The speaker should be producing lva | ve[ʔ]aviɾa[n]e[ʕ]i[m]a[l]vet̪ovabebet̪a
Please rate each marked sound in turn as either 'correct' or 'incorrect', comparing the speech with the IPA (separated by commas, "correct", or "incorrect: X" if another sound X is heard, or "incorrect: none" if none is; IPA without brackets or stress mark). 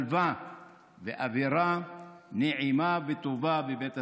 correct, correct, correct, correct, incorrect: none